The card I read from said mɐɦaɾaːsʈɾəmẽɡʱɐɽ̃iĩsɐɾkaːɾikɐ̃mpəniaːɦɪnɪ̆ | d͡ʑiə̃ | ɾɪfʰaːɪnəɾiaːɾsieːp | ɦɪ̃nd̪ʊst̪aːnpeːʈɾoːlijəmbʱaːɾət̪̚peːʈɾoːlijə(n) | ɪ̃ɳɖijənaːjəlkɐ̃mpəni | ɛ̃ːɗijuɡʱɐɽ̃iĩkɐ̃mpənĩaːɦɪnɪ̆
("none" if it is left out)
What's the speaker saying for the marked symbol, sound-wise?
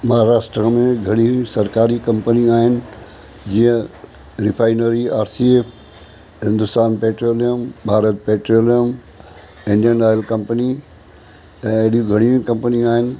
m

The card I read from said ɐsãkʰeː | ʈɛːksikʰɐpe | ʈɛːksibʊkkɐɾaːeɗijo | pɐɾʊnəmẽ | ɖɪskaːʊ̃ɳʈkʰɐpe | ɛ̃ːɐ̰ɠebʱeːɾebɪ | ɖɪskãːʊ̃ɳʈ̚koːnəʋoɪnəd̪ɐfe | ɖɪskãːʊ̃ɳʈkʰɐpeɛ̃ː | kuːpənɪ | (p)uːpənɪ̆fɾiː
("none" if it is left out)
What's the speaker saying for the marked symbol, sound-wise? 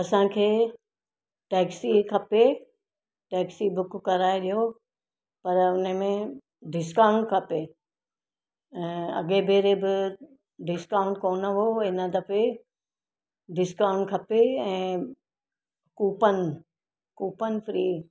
k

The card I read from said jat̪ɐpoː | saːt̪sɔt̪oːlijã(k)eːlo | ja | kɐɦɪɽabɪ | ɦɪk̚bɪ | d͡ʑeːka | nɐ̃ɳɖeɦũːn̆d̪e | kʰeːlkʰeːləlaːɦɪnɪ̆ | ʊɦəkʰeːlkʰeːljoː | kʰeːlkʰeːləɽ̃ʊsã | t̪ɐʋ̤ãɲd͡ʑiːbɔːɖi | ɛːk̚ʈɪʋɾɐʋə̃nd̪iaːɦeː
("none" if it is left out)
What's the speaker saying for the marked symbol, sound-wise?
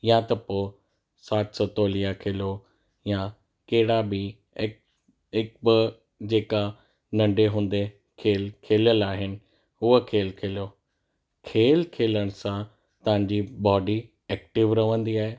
kʰ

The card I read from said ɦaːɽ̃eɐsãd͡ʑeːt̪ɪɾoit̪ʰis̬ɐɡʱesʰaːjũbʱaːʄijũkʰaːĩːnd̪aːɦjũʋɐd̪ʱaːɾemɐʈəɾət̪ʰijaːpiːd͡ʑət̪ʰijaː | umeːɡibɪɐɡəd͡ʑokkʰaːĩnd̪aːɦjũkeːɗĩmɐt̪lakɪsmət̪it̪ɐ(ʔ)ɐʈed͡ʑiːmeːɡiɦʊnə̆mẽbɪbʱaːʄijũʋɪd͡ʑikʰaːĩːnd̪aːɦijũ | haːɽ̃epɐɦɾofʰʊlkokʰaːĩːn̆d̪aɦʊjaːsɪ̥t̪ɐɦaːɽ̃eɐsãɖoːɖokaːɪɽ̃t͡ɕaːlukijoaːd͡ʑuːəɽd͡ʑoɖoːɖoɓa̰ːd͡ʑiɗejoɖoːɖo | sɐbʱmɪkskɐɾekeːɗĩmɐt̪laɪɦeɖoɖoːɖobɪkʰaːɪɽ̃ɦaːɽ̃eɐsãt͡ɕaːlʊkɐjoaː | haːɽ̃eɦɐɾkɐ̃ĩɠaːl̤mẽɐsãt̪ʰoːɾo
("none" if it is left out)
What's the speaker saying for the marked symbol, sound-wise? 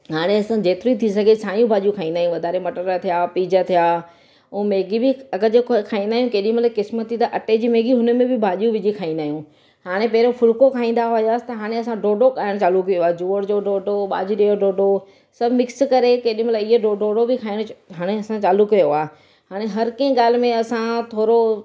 ʔ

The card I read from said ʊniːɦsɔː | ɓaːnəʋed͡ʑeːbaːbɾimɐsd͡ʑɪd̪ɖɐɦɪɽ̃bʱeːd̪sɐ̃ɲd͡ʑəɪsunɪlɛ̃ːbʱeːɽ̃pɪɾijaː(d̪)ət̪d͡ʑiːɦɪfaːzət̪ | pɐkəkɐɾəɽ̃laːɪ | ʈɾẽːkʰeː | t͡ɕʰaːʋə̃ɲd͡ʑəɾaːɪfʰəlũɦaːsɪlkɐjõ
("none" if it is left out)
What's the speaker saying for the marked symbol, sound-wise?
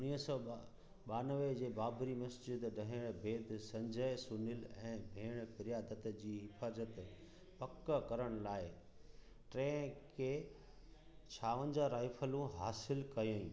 d̪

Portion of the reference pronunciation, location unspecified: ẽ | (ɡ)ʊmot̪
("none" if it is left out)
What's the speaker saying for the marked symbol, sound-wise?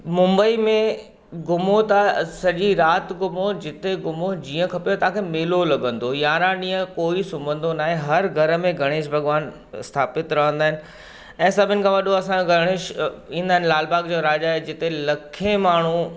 ɡ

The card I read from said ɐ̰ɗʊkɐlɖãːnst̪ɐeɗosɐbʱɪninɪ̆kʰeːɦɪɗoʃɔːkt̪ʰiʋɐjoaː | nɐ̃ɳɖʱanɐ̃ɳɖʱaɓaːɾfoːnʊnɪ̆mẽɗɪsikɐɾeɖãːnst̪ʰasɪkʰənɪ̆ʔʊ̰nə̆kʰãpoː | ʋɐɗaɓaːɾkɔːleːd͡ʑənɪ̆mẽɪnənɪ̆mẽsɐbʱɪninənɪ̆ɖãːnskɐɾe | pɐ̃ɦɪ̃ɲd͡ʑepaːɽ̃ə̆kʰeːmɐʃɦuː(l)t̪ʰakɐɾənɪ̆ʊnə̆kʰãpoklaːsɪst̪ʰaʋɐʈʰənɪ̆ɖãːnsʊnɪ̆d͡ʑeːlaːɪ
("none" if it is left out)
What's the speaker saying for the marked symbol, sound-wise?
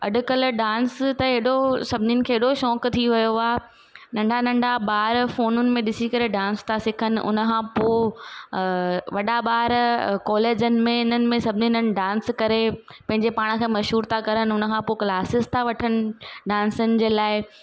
ɾ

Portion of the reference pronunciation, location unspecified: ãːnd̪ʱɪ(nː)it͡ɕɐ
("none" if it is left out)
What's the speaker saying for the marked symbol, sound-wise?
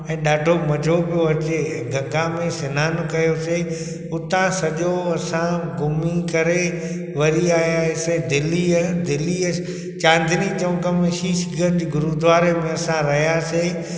n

